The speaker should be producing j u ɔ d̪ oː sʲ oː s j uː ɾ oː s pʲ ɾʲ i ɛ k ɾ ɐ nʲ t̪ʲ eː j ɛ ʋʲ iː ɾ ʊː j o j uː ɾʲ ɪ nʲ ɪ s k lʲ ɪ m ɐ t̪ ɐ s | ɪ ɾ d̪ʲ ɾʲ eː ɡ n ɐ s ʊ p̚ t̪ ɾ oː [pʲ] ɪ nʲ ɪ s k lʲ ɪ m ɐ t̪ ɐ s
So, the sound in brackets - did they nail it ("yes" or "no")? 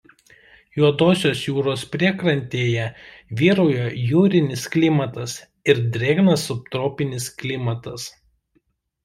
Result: yes